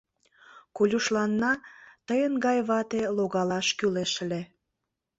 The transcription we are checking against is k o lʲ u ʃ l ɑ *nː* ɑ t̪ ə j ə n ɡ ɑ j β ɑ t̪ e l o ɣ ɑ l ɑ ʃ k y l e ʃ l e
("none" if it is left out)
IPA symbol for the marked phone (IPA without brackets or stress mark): nː